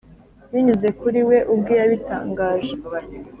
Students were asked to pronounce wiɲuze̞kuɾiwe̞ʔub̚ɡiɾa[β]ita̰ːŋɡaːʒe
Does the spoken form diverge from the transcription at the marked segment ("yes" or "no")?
no